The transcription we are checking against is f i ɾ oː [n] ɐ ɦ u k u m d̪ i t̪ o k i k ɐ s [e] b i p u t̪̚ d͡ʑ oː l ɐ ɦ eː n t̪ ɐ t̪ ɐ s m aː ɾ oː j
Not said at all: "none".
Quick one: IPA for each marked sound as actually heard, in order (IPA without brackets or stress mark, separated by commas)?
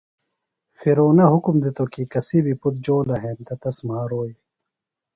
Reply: n, i